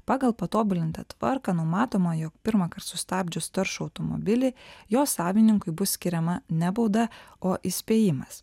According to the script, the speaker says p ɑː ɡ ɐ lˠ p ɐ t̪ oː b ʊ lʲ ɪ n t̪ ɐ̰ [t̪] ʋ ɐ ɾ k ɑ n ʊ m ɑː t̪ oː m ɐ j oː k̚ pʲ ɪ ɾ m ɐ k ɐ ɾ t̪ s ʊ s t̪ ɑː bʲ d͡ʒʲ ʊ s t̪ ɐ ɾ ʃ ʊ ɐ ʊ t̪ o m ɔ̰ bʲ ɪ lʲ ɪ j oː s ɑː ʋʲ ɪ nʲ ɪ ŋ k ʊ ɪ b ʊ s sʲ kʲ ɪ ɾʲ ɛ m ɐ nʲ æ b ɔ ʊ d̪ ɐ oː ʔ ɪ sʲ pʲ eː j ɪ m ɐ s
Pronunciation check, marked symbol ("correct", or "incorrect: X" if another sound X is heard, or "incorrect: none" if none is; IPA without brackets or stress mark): correct